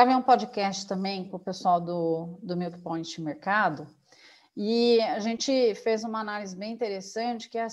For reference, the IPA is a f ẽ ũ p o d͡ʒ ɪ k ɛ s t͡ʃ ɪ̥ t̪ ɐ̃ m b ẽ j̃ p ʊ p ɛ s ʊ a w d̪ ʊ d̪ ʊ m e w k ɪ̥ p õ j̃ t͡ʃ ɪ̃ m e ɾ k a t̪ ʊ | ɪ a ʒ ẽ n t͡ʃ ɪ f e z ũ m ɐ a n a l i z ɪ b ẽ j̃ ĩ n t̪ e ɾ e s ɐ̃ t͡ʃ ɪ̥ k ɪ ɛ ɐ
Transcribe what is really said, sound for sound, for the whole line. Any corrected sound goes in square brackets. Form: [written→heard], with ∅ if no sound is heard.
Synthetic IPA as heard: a [f→v] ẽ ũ p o d͡ʒ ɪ k ɛ s t͡ʃ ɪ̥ t̪ ɐ̃ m b ẽ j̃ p ʊ p [ɛ→e] s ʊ a w d̪ ʊ d̪ ʊ m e w k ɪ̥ p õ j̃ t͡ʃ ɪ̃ m e ɾ k a [t̪→d̪] ʊ | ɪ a ʒ ẽ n t͡ʃ ɪ f e z ũ m ɐ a n a l i z ɪ b ẽ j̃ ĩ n t̪ e ɾ e s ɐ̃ t͡ʃ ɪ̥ k ɪ ɛ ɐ